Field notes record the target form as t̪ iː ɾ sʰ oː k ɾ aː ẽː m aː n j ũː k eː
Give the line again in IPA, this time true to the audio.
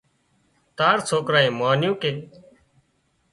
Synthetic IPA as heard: t̪ aː ɾ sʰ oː k ɾ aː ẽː m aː n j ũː k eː